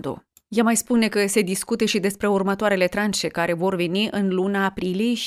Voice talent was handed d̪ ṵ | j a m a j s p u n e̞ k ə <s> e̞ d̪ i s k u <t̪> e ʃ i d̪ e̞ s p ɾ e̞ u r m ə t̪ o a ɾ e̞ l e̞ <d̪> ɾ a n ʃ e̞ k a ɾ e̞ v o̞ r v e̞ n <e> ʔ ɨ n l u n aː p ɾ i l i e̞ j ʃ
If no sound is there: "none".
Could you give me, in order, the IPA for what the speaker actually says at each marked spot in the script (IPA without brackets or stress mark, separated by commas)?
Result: s, t̪, t̪, i